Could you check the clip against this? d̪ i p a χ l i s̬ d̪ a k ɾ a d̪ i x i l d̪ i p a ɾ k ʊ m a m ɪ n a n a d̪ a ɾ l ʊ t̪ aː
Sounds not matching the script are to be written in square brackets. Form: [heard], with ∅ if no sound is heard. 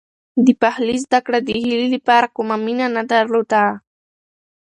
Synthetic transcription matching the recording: d̪ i p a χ l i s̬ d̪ a k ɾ a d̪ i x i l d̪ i p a ɾ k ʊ m a m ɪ n a n a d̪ a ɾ l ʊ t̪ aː